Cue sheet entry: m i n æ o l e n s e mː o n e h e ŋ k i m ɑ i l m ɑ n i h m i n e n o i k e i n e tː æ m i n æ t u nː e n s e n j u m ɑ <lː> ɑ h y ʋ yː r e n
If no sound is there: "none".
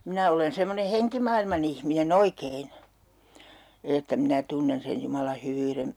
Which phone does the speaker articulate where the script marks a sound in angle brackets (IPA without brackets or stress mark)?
l